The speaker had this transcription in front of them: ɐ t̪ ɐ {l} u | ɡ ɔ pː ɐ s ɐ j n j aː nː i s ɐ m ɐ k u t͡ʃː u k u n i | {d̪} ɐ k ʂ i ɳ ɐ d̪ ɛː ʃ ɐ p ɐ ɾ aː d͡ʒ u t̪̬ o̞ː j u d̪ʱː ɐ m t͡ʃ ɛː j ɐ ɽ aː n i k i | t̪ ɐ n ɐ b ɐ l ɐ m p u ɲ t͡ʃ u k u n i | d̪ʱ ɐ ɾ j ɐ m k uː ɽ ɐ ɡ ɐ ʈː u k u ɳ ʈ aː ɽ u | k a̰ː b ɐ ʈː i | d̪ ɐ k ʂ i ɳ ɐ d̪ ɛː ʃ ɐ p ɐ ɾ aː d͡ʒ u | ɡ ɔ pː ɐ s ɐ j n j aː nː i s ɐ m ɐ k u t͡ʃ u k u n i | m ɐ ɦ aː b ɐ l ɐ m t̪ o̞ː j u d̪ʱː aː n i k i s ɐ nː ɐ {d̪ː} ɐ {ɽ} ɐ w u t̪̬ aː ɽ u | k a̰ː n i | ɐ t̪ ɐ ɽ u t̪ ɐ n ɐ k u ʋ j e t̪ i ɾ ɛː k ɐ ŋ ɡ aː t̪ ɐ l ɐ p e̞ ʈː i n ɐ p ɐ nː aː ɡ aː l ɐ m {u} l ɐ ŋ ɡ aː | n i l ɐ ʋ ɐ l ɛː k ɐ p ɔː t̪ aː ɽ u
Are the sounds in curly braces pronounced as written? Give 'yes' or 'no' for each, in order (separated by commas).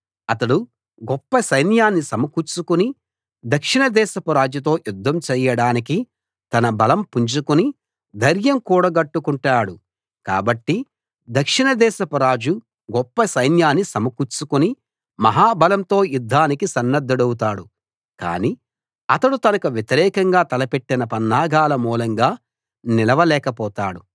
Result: no, yes, yes, yes, no